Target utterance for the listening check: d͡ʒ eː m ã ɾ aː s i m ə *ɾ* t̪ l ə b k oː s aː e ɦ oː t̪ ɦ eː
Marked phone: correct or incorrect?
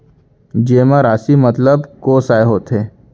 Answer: incorrect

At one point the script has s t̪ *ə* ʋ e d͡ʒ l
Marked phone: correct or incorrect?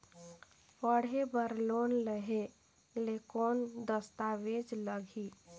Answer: incorrect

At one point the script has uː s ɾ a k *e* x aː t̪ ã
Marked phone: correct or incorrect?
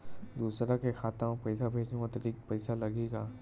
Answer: correct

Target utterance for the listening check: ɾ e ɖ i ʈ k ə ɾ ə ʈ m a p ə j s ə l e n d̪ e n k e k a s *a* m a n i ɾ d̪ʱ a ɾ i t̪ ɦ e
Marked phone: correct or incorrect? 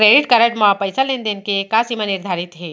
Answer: incorrect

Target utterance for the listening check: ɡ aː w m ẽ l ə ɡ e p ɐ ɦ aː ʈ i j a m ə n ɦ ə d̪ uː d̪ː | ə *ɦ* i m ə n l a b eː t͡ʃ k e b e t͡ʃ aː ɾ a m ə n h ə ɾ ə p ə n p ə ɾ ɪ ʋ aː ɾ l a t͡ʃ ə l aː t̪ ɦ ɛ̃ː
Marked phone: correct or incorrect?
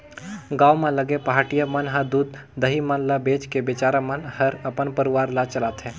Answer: correct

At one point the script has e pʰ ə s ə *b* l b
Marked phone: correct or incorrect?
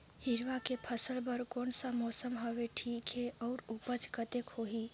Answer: incorrect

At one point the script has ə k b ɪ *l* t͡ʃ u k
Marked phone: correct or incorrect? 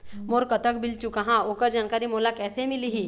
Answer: correct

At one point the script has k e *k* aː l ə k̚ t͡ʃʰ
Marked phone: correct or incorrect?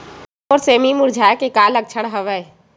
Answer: correct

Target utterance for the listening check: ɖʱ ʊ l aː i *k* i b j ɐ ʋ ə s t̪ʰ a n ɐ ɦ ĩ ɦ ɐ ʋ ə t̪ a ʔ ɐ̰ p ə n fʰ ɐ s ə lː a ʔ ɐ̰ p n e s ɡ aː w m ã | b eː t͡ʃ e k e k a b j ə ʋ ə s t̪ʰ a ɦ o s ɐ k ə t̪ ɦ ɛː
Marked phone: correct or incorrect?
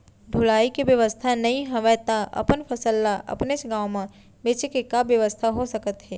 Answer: correct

